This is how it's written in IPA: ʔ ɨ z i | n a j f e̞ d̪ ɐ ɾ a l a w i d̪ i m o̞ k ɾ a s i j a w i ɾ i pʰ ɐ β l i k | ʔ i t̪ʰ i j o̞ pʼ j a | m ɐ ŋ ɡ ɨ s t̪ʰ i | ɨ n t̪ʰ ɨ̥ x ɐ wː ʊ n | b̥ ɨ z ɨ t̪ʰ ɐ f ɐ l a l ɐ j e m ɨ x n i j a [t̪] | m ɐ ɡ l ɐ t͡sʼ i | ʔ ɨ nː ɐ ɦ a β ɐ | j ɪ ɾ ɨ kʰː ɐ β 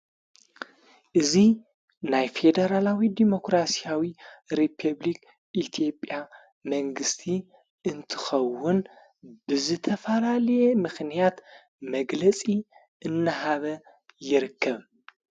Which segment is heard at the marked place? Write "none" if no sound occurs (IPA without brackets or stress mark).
t̪